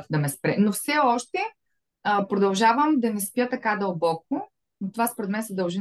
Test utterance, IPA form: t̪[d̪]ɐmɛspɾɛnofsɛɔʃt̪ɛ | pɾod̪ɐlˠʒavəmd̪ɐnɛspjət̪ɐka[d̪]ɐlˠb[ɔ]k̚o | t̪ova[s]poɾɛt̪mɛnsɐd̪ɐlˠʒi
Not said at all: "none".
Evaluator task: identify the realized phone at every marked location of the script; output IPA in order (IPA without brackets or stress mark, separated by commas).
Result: d̪, d̪, ɔ, s